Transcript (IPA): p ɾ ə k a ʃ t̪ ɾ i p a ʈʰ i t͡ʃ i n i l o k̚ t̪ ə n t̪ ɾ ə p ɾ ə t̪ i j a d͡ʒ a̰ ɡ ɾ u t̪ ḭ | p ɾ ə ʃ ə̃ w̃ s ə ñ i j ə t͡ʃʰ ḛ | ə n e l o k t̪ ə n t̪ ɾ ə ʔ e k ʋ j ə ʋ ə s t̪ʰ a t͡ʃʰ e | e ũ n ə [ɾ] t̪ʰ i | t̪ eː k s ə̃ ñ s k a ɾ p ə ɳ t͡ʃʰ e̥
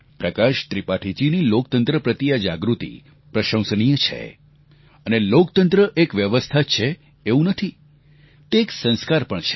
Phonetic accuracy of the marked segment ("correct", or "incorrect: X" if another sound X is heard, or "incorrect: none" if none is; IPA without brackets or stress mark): incorrect: none